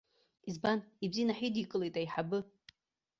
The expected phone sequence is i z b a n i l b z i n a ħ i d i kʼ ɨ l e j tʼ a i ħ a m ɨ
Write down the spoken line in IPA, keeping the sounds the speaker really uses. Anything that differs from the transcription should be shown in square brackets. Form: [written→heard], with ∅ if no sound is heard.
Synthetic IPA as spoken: i z b a n i [l→∅] b z i n a ħ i d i kʼ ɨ l e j tʼ a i ħ a [m→b] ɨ